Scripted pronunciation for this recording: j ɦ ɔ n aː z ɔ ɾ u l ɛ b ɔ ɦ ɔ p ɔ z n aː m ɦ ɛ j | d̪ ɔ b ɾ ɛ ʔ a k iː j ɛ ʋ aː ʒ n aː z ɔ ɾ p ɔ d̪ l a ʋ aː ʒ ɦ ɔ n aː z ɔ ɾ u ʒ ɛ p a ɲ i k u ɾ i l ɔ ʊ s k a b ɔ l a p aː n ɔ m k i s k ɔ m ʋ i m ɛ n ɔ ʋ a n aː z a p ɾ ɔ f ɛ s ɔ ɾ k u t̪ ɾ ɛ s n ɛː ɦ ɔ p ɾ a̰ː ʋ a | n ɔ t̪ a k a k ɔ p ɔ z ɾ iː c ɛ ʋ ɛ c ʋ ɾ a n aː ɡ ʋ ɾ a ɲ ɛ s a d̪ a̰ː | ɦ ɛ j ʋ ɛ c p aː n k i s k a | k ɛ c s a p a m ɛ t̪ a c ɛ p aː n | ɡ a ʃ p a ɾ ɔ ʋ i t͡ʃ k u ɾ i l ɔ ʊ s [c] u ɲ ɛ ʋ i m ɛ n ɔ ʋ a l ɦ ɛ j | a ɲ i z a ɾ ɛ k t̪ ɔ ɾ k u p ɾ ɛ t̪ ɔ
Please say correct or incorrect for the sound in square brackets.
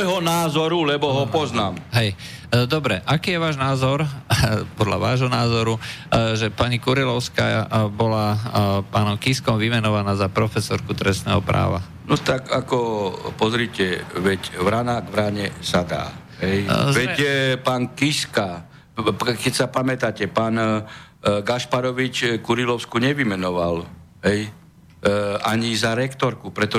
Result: incorrect